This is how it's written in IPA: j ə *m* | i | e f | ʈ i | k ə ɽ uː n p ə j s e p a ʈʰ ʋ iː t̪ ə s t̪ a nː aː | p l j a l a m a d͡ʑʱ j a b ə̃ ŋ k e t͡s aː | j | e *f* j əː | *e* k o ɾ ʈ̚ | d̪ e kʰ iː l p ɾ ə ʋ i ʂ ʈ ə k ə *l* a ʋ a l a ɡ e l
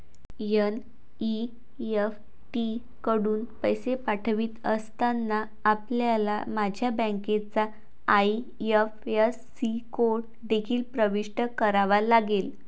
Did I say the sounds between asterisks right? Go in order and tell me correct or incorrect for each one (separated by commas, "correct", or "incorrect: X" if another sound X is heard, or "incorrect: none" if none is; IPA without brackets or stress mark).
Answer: incorrect: n, correct, incorrect: i, incorrect: ɾ